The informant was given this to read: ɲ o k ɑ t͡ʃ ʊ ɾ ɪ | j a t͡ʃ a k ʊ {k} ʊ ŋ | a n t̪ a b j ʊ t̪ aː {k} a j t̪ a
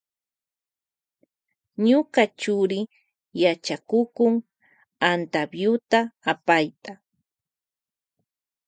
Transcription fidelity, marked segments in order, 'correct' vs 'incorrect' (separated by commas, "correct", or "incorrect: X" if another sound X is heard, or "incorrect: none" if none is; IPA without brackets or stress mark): correct, incorrect: p